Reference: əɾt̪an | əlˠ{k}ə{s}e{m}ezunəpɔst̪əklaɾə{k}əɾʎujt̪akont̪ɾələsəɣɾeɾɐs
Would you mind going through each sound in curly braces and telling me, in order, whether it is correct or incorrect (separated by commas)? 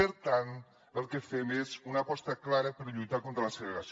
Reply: correct, incorrect, correct, incorrect